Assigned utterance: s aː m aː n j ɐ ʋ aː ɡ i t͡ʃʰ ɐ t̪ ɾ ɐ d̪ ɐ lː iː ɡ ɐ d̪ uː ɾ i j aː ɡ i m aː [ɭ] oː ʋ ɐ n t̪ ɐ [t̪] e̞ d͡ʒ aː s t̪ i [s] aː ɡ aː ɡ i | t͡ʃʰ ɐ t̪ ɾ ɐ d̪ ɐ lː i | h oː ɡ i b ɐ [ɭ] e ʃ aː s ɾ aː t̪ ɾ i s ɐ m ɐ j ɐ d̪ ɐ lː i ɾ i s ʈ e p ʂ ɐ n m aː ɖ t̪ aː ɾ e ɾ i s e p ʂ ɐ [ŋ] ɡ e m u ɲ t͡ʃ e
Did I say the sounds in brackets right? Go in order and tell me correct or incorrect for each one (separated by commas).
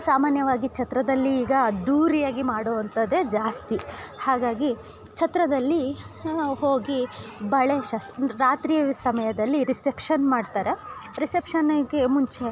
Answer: incorrect, incorrect, incorrect, correct, incorrect